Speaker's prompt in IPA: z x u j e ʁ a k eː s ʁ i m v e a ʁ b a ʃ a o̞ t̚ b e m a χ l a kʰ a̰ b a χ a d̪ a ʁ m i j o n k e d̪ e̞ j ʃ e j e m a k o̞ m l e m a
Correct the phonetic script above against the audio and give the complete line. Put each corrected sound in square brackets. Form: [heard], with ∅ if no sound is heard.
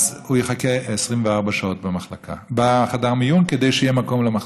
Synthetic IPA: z [h] u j e [χ] a k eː s ʁ i m v e a ʁ b a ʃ a o̞ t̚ b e m a χ l a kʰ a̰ b a χ a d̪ a ʁ m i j [u] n k e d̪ e̞ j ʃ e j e m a k o̞ m l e m a